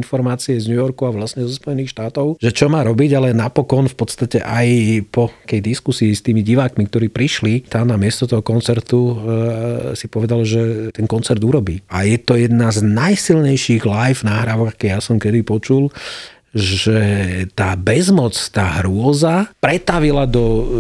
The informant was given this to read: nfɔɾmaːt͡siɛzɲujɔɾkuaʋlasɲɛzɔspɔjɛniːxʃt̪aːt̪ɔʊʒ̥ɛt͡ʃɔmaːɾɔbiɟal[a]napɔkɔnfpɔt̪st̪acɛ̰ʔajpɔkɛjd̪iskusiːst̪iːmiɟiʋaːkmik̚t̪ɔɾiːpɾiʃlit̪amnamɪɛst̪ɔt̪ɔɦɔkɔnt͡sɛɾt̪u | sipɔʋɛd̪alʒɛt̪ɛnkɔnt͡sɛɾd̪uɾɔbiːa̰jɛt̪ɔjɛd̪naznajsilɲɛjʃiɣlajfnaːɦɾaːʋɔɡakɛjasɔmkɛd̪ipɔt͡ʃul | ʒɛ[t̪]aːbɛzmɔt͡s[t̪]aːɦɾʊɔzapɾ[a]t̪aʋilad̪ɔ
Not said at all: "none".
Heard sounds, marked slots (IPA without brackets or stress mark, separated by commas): ɛ, t̪, t̪, ɛ